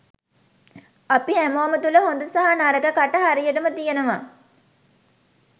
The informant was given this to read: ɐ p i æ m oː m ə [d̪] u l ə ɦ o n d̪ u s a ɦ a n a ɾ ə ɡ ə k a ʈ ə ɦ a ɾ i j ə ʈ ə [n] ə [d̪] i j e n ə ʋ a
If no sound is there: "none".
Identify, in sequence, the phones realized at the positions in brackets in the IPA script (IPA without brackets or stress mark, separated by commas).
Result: t̪, m, t̪